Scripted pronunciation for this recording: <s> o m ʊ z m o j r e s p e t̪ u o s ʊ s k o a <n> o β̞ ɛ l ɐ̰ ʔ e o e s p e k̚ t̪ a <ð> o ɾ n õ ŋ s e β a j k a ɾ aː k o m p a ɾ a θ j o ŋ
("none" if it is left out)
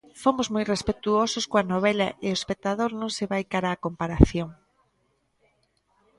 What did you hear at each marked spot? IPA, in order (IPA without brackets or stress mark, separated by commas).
f, n, ð